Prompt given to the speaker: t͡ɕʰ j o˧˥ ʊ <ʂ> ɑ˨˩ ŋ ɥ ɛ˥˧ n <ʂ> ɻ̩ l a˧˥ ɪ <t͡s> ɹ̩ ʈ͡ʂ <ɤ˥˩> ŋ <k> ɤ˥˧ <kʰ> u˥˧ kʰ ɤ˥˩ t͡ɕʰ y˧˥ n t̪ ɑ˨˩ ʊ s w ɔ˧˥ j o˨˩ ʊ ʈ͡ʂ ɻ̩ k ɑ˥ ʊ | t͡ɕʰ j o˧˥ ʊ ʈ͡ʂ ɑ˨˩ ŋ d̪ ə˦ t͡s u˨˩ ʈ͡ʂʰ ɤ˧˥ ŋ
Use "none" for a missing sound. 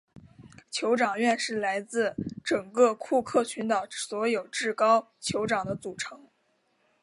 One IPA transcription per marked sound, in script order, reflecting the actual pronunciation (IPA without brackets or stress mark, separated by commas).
ʈ͡ʂ, ʂ, t͡s, ɤ˨˩, k, kʰ